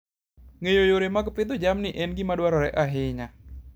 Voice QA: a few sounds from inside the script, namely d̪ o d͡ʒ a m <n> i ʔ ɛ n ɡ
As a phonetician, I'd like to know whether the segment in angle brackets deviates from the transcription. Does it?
no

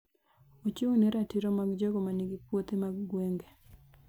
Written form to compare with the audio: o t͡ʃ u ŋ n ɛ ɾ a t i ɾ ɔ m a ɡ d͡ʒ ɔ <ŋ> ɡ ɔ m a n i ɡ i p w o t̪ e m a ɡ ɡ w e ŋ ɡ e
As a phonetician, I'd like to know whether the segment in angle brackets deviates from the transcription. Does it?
yes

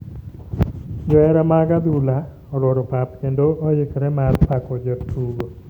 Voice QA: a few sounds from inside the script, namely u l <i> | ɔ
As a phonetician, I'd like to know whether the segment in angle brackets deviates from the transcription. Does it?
yes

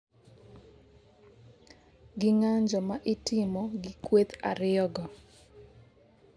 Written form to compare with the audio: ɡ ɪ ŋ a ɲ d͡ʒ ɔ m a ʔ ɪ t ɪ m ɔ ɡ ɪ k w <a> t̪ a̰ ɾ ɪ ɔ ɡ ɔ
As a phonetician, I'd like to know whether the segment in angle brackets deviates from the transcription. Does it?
yes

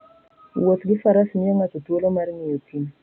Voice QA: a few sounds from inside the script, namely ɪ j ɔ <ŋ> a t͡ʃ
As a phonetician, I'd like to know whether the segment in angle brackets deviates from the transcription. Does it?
no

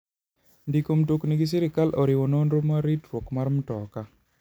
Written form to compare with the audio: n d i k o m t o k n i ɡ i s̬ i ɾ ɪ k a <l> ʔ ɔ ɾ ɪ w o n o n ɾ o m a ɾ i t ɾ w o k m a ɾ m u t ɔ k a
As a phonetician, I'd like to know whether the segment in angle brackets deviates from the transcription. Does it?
no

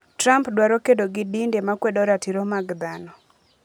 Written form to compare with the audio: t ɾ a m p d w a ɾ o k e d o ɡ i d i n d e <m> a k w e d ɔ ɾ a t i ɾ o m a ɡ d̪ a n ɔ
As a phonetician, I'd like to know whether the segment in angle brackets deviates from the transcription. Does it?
no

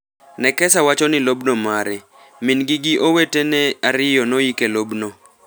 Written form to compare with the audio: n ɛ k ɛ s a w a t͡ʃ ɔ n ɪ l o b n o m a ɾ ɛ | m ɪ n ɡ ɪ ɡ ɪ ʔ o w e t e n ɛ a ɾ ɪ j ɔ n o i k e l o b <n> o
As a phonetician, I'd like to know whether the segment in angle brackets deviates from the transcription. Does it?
no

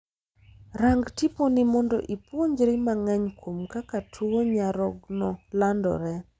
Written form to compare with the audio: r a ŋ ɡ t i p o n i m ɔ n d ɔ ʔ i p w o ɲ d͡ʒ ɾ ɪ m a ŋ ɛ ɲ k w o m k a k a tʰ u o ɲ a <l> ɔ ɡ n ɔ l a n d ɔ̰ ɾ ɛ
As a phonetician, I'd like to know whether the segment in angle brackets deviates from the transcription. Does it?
yes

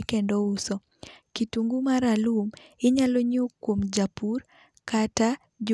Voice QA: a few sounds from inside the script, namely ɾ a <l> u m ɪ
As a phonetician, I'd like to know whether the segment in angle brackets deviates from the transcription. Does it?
no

